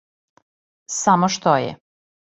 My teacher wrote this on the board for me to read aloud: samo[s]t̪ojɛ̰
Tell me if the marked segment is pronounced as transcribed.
no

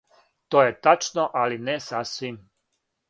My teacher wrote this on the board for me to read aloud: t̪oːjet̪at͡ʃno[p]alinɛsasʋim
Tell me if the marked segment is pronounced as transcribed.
no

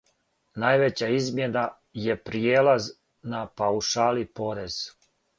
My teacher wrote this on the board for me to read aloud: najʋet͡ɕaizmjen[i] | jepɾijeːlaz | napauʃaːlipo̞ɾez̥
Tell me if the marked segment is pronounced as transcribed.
no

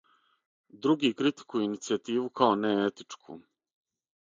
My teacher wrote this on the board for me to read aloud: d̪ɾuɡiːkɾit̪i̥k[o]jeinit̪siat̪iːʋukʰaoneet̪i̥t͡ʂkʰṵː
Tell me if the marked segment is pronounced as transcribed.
no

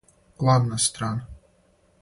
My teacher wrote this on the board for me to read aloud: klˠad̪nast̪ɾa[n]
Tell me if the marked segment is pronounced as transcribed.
yes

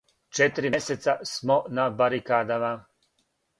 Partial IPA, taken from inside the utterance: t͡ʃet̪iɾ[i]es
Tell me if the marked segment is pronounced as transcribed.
yes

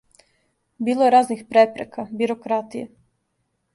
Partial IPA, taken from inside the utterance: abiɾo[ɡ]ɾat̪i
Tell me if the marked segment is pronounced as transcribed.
no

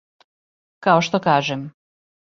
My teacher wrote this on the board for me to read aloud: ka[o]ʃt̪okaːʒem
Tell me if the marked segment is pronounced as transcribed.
yes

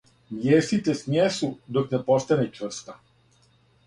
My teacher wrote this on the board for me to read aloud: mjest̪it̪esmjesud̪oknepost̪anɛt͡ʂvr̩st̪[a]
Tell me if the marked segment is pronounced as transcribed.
yes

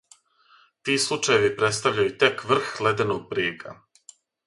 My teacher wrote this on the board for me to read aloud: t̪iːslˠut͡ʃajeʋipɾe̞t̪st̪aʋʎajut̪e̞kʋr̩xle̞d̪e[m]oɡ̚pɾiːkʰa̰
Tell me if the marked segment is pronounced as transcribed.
no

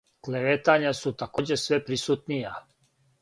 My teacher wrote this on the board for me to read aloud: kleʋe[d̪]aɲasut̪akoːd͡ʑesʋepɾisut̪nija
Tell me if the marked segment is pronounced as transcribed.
no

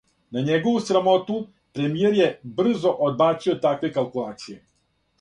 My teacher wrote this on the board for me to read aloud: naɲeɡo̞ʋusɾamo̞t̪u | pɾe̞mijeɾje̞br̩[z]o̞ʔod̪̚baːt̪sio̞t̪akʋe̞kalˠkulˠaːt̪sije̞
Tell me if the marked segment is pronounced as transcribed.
yes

